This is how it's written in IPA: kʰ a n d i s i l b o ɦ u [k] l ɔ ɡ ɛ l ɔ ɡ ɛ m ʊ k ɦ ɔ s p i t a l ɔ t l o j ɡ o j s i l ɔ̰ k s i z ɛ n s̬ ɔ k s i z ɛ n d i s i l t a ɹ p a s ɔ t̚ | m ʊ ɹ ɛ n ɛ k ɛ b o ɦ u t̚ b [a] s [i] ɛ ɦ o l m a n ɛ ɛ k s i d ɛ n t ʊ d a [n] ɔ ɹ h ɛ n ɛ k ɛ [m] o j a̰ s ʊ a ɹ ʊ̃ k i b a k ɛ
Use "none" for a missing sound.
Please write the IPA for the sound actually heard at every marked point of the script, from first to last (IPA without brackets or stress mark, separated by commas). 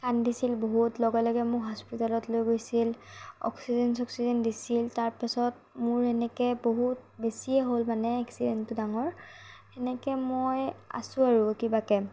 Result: t, e, i, ŋ, m